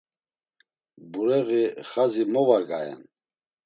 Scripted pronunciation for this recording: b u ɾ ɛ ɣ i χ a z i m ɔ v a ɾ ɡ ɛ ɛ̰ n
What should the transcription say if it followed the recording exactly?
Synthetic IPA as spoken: b u ɾ ɛ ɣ i χ a z i m ɔ v a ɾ ɡ a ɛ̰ n